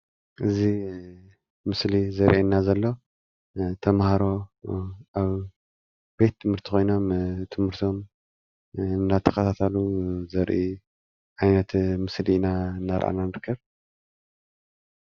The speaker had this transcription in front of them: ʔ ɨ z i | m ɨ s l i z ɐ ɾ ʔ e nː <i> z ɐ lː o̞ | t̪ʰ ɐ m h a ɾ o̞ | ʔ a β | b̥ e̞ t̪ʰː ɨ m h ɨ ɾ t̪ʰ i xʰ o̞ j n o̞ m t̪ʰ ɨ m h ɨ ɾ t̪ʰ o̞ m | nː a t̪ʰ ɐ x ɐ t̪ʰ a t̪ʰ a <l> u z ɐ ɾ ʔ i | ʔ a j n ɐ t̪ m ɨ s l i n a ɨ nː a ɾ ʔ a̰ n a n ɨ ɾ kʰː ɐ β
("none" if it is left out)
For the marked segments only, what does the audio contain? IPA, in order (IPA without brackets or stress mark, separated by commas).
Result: a, l